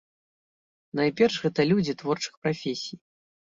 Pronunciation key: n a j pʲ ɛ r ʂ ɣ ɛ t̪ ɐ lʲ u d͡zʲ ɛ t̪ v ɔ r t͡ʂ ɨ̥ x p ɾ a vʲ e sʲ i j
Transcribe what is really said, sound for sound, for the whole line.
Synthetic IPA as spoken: n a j pʲ ɛ r ʂ ɣ ɛ t̪ ɐ lʲ u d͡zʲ i t̪ v ɔ r t͡ʂ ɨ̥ x p ɾ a fʲ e sʲ i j